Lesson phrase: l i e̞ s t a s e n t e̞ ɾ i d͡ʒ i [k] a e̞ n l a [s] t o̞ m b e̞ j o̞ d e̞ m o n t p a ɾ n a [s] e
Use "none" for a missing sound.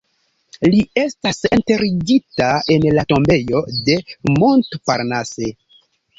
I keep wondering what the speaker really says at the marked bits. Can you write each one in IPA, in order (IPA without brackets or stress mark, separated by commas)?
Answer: t, none, s